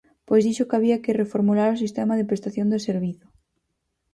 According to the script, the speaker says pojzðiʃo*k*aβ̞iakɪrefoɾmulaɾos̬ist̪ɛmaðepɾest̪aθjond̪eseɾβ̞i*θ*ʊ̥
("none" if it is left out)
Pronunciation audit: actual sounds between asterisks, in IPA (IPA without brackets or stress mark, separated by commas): k, θ